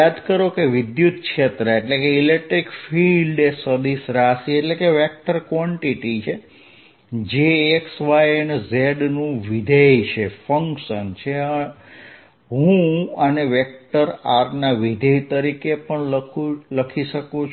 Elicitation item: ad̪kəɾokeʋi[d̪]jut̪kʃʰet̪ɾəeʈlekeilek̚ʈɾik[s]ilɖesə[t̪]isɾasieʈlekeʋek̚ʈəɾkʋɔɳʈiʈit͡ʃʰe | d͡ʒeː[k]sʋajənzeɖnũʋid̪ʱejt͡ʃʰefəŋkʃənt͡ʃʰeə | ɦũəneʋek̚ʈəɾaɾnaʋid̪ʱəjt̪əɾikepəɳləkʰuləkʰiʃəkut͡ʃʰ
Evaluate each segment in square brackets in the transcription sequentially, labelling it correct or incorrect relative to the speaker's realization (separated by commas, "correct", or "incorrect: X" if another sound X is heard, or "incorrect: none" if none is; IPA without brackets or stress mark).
correct, incorrect: f, incorrect: d̪, correct